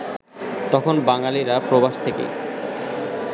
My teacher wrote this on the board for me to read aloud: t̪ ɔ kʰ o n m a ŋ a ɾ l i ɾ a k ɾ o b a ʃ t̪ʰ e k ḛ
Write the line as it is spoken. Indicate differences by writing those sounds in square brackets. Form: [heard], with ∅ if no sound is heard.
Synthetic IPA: t̪ ɔ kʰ o n [b] a ŋ a [∅] l i ɾ a [p] ɾ o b a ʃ t̪ʰ e k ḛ